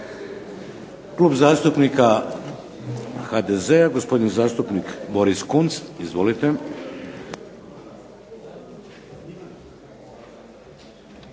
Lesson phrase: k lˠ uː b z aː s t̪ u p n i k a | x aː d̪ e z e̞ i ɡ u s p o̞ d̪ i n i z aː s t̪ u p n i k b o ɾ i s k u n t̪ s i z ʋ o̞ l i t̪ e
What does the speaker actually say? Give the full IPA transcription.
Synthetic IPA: k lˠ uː b z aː s t̪ u p n i k a | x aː d̪ e z e̞ a ɡ o s p o̞ d̪ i n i z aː s t̪ u p n i k b o ɾ i s k u n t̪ s i z ʋ o̞ l i t̪ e